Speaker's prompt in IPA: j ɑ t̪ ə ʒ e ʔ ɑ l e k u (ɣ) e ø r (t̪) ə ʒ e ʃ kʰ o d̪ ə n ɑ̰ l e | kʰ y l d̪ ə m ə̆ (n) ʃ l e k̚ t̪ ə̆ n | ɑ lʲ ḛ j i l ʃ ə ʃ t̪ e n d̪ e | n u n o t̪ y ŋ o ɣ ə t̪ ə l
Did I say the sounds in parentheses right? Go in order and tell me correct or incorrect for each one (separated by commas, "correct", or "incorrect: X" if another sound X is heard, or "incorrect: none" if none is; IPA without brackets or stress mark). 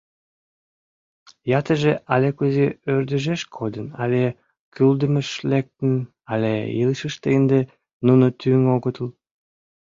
incorrect: z, incorrect: d̪, incorrect: none